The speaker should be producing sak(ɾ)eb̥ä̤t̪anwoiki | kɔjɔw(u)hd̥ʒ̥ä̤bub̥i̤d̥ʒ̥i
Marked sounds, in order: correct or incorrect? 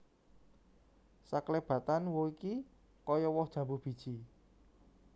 incorrect, incorrect

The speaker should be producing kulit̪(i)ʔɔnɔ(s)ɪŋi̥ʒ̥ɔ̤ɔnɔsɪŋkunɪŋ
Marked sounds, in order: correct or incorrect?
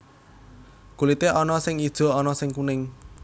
incorrect, correct

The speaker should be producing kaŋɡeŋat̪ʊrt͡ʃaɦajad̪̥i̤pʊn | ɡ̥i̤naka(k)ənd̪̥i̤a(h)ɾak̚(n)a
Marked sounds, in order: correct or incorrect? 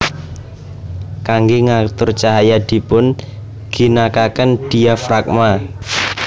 correct, incorrect, incorrect

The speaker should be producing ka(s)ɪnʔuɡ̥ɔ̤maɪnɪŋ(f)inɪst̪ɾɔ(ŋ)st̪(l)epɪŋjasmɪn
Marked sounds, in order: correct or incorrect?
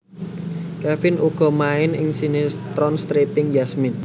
incorrect, incorrect, incorrect, incorrect

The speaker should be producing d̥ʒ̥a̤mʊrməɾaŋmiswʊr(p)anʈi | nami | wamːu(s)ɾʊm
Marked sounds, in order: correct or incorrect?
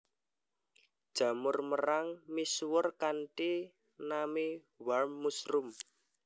incorrect, correct

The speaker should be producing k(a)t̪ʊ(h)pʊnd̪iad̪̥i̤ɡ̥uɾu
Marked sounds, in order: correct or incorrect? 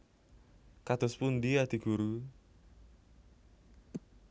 correct, incorrect

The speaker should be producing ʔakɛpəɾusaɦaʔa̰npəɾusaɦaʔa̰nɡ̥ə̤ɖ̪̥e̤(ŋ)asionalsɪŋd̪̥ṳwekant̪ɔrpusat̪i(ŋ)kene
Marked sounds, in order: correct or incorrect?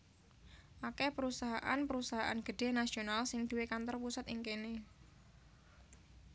incorrect, correct

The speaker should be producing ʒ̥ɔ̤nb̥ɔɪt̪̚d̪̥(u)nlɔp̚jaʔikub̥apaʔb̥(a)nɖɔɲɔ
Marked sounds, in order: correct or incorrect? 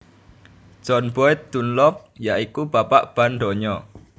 correct, correct

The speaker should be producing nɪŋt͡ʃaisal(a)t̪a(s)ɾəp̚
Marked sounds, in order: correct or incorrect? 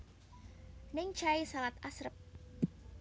correct, correct

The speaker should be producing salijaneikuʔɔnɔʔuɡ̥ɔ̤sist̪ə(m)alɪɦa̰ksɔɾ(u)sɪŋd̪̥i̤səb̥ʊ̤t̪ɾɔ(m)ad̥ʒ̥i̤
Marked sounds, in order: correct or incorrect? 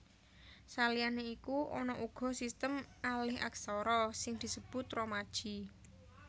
correct, incorrect, correct

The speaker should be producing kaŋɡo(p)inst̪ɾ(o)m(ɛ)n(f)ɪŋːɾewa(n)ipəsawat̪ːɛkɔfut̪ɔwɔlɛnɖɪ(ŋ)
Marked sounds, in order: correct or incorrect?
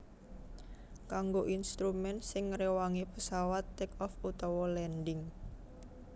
incorrect, incorrect, correct, incorrect, incorrect, correct

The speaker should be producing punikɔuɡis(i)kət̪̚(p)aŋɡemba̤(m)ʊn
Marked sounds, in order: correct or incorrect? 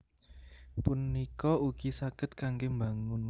incorrect, incorrect, incorrect

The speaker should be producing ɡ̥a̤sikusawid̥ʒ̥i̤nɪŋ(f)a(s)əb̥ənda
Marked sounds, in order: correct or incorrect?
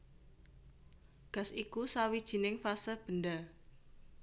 correct, correct

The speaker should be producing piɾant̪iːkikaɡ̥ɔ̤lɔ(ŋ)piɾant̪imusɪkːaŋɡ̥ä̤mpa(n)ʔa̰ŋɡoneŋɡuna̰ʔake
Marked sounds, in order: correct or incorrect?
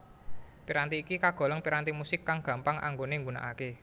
correct, incorrect

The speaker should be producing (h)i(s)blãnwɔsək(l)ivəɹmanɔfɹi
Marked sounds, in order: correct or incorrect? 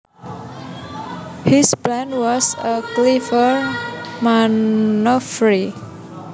correct, correct, correct

